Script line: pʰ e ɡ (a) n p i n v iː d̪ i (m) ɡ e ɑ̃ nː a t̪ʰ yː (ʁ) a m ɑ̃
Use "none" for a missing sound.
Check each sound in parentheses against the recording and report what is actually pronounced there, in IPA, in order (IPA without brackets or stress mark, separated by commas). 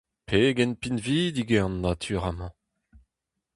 ɛ, none, ʁ